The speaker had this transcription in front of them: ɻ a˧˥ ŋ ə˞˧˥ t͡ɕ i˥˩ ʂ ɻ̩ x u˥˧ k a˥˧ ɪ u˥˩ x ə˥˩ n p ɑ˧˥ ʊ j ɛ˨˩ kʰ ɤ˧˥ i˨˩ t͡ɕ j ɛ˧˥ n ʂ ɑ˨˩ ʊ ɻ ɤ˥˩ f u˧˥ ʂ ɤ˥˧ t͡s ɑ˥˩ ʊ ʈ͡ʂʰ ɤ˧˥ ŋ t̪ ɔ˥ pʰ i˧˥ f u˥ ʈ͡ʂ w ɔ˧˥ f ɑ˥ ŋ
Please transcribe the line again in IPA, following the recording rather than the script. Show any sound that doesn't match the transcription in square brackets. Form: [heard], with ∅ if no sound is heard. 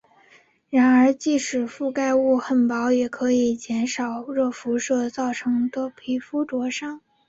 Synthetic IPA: ɻ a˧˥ [n] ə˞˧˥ t͡ɕ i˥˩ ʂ ɻ̩ [f] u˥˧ k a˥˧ ɪ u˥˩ x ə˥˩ n p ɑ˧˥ ʊ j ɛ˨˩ kʰ ɤ˧˥ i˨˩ t͡ɕ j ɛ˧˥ n ʂ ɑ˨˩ ʊ ɻ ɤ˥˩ f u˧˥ ʂ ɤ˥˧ t͡s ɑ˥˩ ʊ ʈ͡ʂʰ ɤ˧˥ ŋ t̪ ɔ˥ pʰ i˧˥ f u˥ ʈ͡ʂ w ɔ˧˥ [ʂ] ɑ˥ ŋ